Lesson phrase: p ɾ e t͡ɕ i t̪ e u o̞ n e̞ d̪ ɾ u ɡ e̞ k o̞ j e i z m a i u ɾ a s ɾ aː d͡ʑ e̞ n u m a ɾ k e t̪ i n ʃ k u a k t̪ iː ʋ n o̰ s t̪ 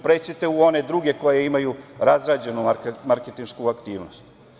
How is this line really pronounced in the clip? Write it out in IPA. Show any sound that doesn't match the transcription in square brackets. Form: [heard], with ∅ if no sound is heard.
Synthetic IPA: p ɾ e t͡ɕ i t̪ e u o̞ n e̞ d̪ ɾ u ɡ e̞ k o̞ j e i [∅] m a [j] u ɾ a [z] ɾ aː d͡ʑ e̞ n u m a ɾ k e t̪ i n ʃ k u a k t̪ iː ʋ n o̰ s t̪